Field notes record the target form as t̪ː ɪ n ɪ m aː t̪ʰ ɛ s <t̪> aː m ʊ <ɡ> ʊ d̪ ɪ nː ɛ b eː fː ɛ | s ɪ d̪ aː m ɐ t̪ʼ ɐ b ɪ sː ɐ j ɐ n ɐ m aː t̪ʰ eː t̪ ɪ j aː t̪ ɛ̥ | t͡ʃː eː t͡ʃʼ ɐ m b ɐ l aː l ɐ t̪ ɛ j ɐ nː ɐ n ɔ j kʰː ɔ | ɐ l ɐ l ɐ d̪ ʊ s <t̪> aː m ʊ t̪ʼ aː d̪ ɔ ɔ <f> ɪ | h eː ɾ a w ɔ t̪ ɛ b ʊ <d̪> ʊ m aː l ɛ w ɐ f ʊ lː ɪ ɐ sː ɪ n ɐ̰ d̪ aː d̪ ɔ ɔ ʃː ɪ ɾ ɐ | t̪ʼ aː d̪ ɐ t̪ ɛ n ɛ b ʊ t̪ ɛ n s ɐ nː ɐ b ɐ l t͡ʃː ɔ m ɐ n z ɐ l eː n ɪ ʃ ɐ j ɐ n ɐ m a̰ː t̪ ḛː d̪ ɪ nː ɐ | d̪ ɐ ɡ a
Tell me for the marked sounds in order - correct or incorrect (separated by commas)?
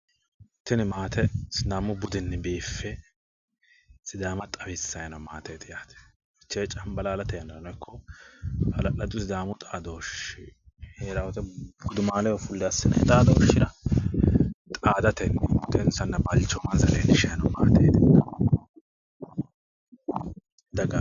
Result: incorrect, incorrect, incorrect, incorrect, correct